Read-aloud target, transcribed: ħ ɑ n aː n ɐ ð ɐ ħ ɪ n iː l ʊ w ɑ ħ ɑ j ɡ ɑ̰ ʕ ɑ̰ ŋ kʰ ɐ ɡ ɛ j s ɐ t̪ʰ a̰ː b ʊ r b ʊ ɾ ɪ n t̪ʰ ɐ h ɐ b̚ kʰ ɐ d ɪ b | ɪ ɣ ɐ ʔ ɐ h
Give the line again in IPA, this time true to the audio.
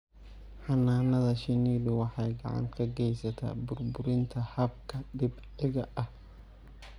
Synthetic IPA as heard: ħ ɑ n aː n ɐ ð ɐ ʃ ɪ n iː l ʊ w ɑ ħ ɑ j ɡ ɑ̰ ʕ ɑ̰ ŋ kʰ ɐ ɡ ɛ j s ɐ t̪ʰ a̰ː b ʊ r b ʊ ɾ ɪ n t̪ʰ ɐ h ɐ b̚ kʰ ɐ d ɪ b | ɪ ɣ ɐ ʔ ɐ h

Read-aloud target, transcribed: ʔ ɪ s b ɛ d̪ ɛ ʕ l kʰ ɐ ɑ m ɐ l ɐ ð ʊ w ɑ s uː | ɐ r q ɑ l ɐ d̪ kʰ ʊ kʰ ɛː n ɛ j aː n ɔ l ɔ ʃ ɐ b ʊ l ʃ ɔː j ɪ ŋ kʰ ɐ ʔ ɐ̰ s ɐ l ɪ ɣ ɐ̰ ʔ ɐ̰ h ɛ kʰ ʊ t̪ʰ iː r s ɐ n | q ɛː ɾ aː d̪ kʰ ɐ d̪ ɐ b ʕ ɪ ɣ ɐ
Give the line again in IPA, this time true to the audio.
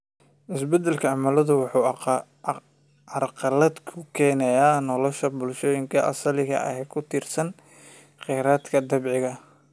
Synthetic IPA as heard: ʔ ɪ s b ɛ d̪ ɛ l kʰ ɐ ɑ m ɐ l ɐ ð ʊ w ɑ ħ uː | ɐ r q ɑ l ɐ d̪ kʰ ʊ kʰ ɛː n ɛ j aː n ɔ l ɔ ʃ ɐ b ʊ l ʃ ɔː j ɪ ŋ kʰ ɐ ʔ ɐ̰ s ɐ l ɪ ɣ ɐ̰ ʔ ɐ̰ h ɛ kʰ ʊ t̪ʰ iː r s ɐ n | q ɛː ɾ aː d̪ kʰ ɐ d̪ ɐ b ʕ ɪ ɣ ɐ

